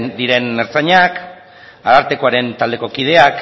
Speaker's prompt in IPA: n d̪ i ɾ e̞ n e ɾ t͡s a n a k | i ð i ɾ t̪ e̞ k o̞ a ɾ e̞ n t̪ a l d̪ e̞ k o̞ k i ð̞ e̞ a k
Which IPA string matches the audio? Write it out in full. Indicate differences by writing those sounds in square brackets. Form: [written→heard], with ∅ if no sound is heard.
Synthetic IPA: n d̪ i ɾ e̞ n e ɾ t͡s a [n→ɲ] a k | [i→a] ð [i→a] ɾ t̪ e̞ k o̞ a ɾ e̞ n t̪ a l d̪ e̞ k o̞ k i ð̞ e̞ a k